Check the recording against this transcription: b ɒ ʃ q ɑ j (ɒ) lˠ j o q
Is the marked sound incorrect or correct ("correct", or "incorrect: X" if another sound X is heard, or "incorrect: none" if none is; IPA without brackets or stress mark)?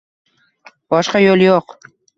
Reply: incorrect: o